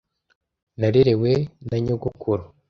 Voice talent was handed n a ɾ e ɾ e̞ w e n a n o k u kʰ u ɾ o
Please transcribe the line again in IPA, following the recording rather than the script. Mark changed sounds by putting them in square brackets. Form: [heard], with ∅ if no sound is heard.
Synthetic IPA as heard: n a ɾ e ɾ e̞ w e n a [ɲ] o [ɡ] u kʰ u ɾ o